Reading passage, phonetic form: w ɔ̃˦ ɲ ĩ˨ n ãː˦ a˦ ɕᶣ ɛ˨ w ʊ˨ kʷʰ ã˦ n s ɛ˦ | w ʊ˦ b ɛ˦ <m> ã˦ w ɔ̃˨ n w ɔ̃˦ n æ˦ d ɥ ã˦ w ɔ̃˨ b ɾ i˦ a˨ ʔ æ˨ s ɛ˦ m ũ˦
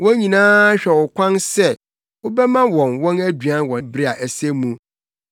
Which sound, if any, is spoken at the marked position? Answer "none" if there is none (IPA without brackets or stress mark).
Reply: m